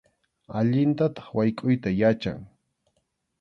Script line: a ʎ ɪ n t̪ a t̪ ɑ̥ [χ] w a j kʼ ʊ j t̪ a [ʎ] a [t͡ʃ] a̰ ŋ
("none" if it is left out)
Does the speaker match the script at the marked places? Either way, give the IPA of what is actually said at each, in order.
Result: χ, j, t͡ʃ

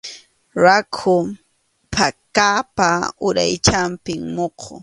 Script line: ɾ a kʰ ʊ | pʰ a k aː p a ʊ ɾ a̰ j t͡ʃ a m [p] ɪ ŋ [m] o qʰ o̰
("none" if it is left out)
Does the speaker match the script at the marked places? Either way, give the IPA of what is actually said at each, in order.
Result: p, m

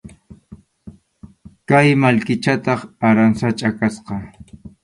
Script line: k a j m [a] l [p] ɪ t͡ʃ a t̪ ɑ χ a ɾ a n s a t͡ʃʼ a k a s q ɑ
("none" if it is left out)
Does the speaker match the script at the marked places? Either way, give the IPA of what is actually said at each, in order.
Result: a, k

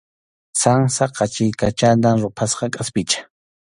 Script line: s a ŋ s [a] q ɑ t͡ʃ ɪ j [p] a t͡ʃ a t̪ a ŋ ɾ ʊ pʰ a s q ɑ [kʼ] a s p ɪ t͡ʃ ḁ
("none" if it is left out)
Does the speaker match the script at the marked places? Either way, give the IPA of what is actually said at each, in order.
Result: a, k, kʼ

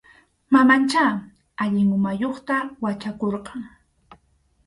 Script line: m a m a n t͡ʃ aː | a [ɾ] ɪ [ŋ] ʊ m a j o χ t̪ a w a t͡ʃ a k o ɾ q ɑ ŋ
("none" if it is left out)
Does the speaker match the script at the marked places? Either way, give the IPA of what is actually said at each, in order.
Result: ʎ, ŋ

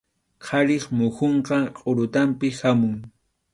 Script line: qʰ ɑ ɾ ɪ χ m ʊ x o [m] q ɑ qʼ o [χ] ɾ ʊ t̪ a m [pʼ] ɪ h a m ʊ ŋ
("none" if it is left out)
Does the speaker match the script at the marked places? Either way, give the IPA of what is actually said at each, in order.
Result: ɴ, none, p

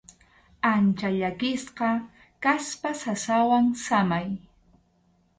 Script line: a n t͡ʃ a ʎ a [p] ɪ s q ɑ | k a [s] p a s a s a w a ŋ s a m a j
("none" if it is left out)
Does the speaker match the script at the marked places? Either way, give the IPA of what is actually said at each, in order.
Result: k, s

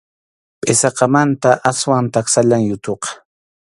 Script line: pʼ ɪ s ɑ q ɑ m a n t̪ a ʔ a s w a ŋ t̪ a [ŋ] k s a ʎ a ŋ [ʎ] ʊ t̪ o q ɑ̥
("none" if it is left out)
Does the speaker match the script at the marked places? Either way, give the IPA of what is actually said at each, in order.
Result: none, j

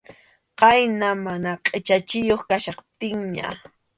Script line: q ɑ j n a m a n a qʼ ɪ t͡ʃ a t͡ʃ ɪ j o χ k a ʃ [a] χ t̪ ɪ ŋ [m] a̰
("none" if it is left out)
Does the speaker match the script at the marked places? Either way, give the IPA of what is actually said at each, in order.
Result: ɑ, ɲ

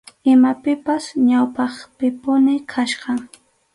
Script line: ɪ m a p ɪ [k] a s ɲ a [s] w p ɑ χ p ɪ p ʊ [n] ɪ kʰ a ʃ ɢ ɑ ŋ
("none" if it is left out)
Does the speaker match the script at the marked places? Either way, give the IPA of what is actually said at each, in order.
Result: p, none, n

